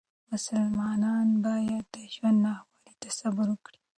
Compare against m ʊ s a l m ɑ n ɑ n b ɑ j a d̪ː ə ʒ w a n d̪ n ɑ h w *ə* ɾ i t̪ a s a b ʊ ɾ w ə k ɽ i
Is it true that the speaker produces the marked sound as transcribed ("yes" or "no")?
no